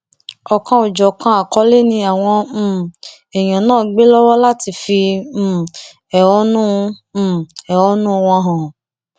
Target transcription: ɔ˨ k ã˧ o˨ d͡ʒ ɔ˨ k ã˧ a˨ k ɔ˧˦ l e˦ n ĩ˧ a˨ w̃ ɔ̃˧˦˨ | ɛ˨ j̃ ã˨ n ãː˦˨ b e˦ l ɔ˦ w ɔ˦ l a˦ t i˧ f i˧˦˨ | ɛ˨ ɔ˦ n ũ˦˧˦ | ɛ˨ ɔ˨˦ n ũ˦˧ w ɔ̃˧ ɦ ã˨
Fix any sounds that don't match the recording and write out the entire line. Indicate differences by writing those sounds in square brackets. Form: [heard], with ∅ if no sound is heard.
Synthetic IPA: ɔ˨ k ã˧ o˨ d͡ʒ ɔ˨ k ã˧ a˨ k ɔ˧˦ l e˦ n ĩ˧ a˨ w̃ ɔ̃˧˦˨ | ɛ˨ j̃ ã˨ n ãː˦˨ [ɡ͡b] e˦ l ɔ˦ w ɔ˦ l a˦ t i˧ f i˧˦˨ | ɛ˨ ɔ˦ n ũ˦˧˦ | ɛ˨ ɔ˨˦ n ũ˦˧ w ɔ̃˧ ɦ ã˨